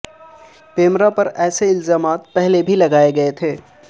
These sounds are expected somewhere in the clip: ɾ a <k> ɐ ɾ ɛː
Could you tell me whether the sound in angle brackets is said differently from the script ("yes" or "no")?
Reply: yes